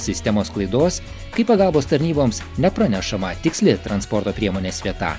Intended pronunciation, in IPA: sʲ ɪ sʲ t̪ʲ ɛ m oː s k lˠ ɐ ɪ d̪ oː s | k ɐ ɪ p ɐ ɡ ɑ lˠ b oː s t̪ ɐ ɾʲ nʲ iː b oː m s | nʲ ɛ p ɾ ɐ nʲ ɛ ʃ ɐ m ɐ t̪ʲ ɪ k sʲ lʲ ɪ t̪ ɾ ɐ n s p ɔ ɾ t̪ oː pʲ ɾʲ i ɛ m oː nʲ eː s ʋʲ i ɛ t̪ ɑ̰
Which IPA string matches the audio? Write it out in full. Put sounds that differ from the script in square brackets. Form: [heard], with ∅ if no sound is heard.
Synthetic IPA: sʲ ɪ sʲ t̪ʲ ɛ m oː s k lˠ ɐ ɪ d̪ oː s | k ɐ ɪ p ɐ ɡ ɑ lˠ b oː s t̪ ɐ ɾʲ nʲ iː b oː m s | nʲ ɛ p ɾ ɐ nʲ ɛ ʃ ɐ m ɐ t̪ʲ ɪ k sʲ lʲ ɪ t̪ ɾ ɐ n s p ɔ ɾ t̪ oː pʲ ɾʲ i ɛ m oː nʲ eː s ʋʲ i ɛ t̪ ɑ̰

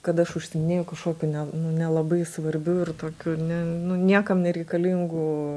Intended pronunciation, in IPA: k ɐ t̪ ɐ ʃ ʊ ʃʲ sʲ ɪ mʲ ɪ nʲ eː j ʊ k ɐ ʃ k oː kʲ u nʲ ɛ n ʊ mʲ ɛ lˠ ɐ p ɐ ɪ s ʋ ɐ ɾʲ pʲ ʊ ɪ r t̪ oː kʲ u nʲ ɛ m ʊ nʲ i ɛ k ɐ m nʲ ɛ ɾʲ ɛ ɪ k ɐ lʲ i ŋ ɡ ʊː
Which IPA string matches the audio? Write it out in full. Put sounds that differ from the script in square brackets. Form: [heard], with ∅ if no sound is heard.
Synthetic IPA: k ɐ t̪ ɐ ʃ ʊ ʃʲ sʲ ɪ mʲ ɪ nʲ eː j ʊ k ɐ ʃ k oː kʲ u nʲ ɛ n ʊ [nʲ] ɛ lˠ ɐ [b] ɐ ɪ s ʋ ɐ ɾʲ [bʲ] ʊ ɪ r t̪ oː kʲ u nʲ ɛ [n] ʊ nʲ i ɛ k ɐ m nʲ ɛ ɾʲ ɛ ɪ k ɐ lʲ i ŋ ɡ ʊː

